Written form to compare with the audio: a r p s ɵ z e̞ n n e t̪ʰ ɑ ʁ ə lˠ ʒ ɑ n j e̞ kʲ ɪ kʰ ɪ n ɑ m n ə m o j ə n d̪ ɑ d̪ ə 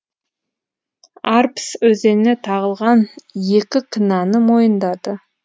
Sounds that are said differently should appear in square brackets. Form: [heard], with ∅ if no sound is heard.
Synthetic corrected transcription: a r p s ɵ z e̞ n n e t̪ʰ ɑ ʁ ə lˠ [ʁ] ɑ n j e̞ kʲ ɪ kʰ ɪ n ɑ [∅] n ə m o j ə n d̪ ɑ d̪ ə